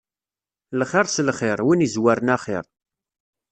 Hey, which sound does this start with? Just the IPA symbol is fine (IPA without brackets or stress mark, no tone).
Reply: l